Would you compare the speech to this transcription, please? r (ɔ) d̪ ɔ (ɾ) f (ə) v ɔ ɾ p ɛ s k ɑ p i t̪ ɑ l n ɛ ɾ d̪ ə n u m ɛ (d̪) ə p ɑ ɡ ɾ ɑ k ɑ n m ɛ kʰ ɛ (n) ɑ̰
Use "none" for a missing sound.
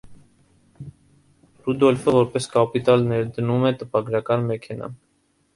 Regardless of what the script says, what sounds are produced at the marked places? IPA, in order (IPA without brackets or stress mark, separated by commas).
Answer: u, l, ə, t̪, n